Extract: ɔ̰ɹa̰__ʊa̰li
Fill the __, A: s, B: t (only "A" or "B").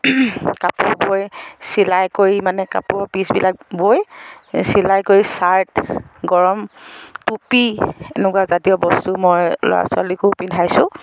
A